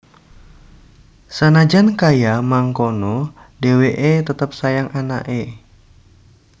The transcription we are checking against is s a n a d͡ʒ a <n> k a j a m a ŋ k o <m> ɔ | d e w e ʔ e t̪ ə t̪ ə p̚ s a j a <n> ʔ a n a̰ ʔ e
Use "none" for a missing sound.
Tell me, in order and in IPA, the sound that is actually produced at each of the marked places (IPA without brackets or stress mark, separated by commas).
n, n, ŋ